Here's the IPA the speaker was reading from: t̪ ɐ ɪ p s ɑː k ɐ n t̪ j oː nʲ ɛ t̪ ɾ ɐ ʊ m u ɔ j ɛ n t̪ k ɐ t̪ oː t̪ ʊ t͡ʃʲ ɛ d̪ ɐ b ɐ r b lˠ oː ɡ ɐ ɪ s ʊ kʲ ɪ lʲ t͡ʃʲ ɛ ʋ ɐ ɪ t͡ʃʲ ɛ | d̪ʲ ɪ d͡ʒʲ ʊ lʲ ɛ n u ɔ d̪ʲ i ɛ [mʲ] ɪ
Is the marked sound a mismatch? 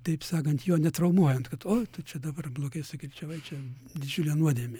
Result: no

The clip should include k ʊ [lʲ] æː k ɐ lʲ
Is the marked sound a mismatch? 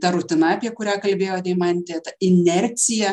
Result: yes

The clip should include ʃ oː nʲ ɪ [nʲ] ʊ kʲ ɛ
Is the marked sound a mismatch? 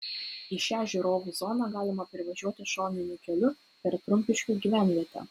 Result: no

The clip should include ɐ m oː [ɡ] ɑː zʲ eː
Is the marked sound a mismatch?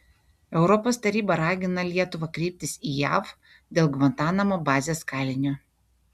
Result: yes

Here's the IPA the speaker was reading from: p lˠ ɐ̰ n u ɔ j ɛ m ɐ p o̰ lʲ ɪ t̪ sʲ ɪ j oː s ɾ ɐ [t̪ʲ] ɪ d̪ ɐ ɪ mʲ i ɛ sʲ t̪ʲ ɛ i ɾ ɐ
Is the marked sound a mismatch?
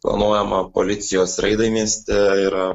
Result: yes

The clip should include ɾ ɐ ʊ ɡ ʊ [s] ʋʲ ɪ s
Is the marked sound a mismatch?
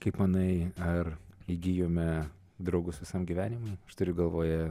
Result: no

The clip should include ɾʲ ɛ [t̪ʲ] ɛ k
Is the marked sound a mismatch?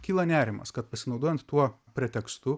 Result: no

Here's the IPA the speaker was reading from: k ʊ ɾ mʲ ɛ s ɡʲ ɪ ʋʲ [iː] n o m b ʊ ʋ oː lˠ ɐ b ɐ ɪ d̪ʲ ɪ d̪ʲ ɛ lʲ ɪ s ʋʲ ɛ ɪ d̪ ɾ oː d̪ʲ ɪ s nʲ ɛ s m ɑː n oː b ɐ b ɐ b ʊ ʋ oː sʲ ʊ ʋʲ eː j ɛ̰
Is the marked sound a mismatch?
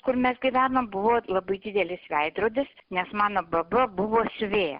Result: yes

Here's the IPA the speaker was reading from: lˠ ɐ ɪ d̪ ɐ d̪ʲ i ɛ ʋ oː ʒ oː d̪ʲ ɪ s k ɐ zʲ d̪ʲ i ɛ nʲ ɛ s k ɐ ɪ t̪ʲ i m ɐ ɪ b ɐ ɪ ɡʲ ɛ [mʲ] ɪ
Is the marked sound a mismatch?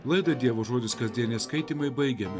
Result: no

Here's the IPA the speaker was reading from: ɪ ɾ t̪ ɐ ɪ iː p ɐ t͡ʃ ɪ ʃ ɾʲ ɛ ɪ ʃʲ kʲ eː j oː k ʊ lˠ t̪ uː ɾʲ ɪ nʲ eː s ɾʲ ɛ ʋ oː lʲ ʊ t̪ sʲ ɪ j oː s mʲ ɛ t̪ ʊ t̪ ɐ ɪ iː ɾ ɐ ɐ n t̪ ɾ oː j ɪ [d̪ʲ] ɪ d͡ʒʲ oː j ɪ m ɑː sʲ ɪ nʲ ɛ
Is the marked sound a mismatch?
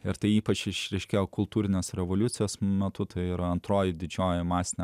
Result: no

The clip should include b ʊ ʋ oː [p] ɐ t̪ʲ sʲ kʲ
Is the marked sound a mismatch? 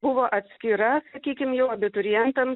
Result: yes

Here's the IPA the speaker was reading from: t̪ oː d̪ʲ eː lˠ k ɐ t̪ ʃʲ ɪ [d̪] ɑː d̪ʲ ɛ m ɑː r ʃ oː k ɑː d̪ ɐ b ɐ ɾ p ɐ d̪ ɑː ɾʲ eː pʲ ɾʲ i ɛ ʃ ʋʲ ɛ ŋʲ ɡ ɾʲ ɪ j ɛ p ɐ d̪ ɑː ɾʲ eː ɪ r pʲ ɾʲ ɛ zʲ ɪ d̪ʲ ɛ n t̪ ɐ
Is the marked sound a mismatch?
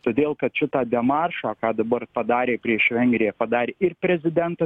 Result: yes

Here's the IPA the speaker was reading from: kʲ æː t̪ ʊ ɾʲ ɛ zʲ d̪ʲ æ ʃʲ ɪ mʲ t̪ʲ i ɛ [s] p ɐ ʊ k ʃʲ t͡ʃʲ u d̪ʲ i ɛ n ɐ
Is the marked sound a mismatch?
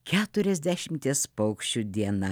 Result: no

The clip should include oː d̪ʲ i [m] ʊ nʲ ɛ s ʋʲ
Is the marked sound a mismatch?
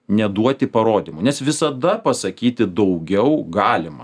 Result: no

